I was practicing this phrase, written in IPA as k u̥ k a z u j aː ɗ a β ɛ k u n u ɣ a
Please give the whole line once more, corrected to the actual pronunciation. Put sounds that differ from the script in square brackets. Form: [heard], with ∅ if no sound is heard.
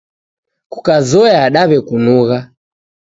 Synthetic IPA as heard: k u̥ k a z [ɔ] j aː ɗ a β ɛ k u n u ɣ a